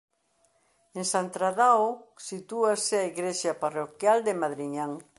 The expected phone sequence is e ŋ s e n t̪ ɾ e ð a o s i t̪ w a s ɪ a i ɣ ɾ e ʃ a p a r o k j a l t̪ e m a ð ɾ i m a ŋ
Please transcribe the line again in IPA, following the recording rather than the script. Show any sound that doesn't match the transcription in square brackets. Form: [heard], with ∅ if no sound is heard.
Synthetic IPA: e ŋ s [a] n t̪ ɾ [a] ð a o s i t̪ [u] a s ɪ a i ɣ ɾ e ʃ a p a r o k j a l [d̪] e m a ð ɾ i [ɲ] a ŋ